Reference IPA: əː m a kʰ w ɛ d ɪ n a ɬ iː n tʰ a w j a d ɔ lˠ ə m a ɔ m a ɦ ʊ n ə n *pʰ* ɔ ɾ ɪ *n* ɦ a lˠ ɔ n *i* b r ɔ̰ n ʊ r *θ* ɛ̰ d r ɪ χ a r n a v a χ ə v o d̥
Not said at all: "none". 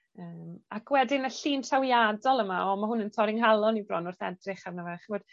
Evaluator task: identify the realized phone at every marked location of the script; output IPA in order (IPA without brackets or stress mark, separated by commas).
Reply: tʰ, ŋ, i, θ